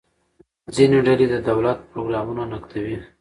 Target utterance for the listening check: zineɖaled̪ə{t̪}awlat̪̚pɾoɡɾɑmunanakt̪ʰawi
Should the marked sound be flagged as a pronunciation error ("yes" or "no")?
yes